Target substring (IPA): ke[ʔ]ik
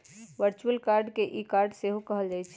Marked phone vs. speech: correct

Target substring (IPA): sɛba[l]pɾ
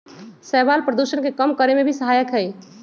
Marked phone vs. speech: correct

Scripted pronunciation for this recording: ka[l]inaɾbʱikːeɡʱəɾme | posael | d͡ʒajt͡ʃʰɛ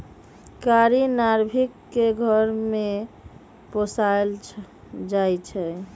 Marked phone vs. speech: incorrect: ɾ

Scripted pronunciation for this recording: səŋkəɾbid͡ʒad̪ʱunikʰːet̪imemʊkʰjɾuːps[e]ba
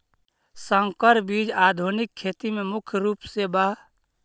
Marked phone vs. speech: correct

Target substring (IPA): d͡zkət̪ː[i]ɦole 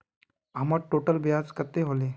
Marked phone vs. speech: incorrect: e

